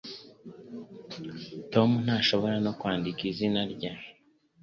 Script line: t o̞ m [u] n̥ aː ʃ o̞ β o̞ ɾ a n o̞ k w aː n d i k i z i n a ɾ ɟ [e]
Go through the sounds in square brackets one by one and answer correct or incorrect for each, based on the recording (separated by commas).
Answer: correct, incorrect